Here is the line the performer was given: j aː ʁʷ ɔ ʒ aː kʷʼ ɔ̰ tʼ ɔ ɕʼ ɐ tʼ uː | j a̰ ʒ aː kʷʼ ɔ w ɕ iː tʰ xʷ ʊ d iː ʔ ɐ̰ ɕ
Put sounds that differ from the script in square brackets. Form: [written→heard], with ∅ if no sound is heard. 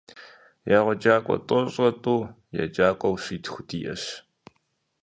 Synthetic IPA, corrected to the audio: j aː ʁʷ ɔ [ʒ→d͡ʒ] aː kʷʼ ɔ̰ tʼ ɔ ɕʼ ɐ tʼ uː | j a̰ [ʒ→d͡ʒ] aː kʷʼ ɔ w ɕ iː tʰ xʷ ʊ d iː ʔ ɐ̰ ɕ